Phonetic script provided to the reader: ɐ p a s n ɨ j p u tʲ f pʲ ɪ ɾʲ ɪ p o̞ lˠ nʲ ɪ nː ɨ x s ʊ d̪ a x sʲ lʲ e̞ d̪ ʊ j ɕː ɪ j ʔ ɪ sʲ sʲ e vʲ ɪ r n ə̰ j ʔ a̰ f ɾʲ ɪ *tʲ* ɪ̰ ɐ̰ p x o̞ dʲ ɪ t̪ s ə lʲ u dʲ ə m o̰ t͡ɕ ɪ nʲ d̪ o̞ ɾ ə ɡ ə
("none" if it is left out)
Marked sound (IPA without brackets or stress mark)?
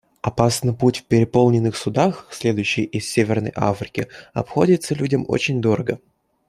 kʲ